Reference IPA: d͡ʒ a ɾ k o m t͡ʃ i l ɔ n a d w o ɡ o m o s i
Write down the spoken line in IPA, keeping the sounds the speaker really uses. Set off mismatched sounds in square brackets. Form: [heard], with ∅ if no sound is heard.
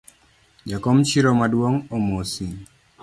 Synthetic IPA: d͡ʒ a [∅] k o m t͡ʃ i [ɾ] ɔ [m] a d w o [ŋ] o m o s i